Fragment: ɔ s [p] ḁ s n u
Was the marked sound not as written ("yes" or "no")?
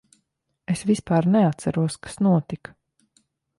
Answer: yes